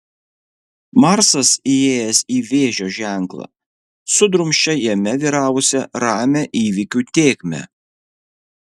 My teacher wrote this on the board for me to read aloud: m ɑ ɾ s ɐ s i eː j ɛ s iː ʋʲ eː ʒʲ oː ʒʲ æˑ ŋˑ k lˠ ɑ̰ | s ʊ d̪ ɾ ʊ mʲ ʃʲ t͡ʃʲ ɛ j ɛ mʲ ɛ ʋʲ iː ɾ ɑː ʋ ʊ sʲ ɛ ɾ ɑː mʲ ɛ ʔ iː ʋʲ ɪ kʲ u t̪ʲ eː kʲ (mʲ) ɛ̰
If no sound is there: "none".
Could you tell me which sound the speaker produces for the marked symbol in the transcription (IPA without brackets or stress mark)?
mʲ